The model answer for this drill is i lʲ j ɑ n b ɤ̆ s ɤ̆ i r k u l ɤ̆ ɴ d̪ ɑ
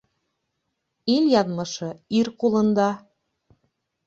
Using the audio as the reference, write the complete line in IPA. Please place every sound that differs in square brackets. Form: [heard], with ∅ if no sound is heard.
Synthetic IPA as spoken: i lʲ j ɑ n [m] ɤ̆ [ʃ] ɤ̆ i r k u l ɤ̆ [n] d̪ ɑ